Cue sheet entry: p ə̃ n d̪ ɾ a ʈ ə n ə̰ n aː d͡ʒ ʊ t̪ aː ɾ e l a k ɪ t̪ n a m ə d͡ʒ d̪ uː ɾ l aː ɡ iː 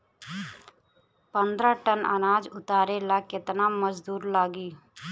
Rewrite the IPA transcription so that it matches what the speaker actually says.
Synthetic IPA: p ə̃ n d̪ ɾ a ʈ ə n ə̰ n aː d͡ʒ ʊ t̪ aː ɾ e l a k ɪ t̪ n a m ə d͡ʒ d̪ uː ɾ l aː ɡ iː